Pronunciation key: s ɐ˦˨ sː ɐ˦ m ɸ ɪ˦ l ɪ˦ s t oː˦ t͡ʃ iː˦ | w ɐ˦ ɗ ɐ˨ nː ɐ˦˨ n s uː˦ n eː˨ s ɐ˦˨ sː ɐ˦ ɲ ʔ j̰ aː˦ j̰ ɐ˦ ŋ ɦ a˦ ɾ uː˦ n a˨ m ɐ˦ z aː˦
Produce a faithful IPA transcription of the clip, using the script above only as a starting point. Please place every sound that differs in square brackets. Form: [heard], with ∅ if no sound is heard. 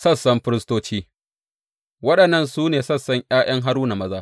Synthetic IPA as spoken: s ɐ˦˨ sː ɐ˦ m ɸ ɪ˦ [ɾ] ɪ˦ s t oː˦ t͡ʃ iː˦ | w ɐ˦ ɗ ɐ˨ nː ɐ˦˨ n s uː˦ n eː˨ s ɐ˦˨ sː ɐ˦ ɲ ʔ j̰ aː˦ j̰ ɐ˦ ŋ ɦ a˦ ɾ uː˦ n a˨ m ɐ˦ z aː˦